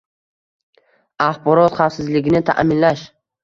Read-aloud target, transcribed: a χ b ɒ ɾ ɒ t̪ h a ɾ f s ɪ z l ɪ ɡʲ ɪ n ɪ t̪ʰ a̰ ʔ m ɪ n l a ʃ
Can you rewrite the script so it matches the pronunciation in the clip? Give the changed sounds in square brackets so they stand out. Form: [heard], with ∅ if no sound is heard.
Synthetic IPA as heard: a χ b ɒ ɾ ɒ t̪ [χ] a [∅] f s ɪ z l ɪ ɡʲ ɪ n ɪ t̪ʰ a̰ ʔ m ɪ n l a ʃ

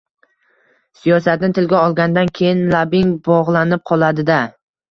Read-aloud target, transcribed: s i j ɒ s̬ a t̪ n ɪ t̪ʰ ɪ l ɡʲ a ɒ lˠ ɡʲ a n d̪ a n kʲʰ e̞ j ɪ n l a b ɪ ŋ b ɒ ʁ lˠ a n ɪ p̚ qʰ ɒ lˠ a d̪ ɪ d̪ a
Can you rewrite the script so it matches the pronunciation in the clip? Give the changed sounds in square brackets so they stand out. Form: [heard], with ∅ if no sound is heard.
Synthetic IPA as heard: s i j ɒ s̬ a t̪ n ɪ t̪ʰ ɪ l ɡʲ a ɒ lˠ ɡʲ a n d̪ a n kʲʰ e̞ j ɪ n l a b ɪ ŋ b ɒ ʁ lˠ a n ɪ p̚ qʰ ɒ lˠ a d̪ ɪ d̪ a

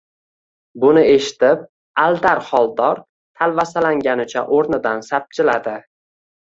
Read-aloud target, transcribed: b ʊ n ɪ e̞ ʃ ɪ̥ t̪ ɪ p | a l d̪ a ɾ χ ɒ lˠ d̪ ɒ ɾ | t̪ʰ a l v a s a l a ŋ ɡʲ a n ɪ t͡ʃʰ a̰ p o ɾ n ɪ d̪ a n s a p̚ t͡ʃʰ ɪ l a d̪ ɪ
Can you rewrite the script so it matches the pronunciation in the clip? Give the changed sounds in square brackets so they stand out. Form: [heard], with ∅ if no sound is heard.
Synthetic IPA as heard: b ʊ n ɪ e̞ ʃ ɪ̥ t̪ ɪ p | a l d̪ a ɾ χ ɒ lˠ d̪ ɒ ɾ | t̪ʰ a l v a s a l a ŋ ɡʲ a n ɪ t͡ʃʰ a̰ [ʔ] o ɾ n ɪ d̪ a n s a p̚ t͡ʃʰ ɪ l a d̪ ɪ

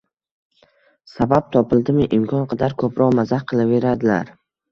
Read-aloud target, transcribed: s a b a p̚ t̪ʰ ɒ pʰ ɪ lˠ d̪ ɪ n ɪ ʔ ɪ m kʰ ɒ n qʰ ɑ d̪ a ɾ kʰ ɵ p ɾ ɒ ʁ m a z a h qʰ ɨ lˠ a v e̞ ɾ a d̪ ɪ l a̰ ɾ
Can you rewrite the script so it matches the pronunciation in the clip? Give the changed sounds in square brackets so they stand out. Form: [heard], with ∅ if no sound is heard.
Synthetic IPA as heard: s a b a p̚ t̪ʰ ɒ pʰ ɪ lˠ d̪ ɪ [m] ɪ ʔ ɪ m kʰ ɒ n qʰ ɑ d̪ a ɾ kʰ ɵ p ɾ ɒ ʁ m a z a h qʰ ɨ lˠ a v e̞ ɾ a d̪ ɪ l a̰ ɾ

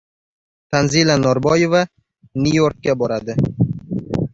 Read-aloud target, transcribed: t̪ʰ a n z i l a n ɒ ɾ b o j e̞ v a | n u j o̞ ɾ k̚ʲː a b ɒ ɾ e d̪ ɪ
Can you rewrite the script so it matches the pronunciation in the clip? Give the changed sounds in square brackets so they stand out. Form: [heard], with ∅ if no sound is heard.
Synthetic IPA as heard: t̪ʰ a n z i l a n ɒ ɾ b [ɒ] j e̞ v a | n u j o̞ ɾ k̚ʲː a b ɒ ɾ [a] d̪ ɪ

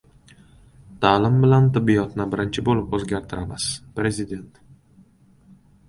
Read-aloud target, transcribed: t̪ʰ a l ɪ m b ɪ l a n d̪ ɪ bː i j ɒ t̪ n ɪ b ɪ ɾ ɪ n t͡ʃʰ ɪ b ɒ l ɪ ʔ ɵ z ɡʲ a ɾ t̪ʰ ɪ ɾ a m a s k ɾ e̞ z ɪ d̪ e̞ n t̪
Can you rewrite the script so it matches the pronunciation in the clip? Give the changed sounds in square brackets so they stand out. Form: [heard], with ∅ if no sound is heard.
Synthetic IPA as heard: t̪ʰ a l ɪ m b ɪ l a n [t̪] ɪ bː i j ɒ t̪ n ɪ b ɪ ɾ ɪ n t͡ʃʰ ɪ b [o] l ɪ [p] ɵ z ɡʲ a ɾ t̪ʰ ɪ ɾ a m a s [p] ɾ e̞ z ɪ d̪ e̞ n t̪

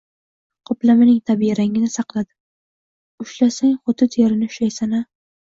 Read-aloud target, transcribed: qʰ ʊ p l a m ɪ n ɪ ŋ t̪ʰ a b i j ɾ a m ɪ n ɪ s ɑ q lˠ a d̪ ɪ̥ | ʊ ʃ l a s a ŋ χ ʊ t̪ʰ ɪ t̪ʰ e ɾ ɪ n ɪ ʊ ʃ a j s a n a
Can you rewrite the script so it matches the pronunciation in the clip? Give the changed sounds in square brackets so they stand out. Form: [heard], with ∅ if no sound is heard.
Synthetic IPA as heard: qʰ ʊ p l a m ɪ n ɪ ŋ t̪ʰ a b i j ɾ a [ŋ] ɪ n ɪ s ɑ q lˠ a d̪ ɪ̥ | ʊ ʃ l a s a ŋ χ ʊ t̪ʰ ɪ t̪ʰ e ɾ ɪ n ɪ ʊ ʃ a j s a n a

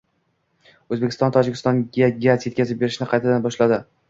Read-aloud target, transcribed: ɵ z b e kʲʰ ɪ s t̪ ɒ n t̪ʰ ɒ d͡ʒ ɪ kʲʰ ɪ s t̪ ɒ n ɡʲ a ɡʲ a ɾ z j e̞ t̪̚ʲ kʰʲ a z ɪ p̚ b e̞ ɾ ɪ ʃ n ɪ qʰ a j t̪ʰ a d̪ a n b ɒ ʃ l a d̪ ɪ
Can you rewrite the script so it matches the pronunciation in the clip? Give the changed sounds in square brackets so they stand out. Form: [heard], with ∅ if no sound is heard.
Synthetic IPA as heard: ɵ z b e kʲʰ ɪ s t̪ ɒ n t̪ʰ ɒ d͡ʒ ɪ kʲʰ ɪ s t̪ ɒ n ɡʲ a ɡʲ a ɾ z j e̞ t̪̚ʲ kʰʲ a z ɪ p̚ b e̞ ɾ ɪ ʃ n ɪ qʰ [ɑ] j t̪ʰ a d̪ a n b ɒ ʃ l a d̪ ɪ

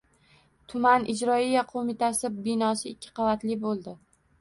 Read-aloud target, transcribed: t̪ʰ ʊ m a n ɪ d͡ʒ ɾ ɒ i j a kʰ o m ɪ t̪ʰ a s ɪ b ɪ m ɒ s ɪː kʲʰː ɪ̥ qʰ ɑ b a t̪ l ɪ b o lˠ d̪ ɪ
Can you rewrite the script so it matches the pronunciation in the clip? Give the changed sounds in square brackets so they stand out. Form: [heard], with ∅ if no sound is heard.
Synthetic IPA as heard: t̪ʰ ʊ m a n ɪ d͡ʒ ɾ ɒ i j a [qʰ] o m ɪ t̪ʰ a s ɪ b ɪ [n] ɒ s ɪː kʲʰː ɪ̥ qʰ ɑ [v] a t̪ l ɪ b o lˠ d̪ ɪ

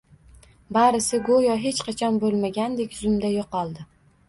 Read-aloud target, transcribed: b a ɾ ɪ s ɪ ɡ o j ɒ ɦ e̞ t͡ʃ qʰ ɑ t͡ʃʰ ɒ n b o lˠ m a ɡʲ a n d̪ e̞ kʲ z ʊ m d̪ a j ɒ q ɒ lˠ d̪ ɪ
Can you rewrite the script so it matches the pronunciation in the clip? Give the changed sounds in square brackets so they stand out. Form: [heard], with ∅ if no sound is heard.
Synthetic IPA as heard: b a ɾ ɪ s ɪ ɡ o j ɒ ɦ e̞ t͡ʃ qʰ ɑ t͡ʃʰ ɒ n b o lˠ m a ɡʲ a n d̪ e̞ kʲ z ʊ m d̪ a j [o] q ɒ lˠ d̪ ɪ

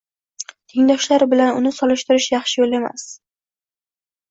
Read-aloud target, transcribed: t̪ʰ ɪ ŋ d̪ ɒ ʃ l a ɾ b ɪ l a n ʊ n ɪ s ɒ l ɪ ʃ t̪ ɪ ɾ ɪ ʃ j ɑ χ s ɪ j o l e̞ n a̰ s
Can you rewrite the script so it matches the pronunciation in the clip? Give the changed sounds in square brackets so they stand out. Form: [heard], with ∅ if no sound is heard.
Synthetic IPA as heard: t̪ʰ ɪ ŋ d̪ ɒ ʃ l a ɾ b ɪ l a n ʊ n ɪ s ɒ l ɪ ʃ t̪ ɪ ɾ ɪ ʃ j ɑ χ [ʃ] ɪ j o l e̞ [m] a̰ s

